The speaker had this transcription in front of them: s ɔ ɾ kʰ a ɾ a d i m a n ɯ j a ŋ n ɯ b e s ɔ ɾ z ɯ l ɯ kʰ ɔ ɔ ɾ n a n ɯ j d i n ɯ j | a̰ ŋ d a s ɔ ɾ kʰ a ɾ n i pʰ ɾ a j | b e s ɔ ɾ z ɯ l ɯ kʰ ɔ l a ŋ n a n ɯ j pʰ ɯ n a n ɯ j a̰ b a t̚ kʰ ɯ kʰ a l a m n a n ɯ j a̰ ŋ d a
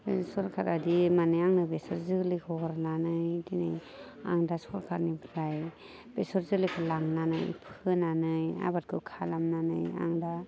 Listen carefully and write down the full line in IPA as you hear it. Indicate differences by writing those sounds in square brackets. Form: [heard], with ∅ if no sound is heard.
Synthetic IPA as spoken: s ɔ ɾ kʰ a ɾ a d i m a n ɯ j a ŋ n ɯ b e s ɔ ɾ z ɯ l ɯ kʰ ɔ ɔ ɾ n a n ɯ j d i n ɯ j | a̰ ŋ d a s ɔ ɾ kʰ a ɾ n i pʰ ɾ a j | b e s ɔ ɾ z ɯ l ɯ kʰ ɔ l a ŋ n a n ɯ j pʰ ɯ n a n ɯ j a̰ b a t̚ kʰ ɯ kʰ a l a m n a n ɯ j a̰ ŋ d a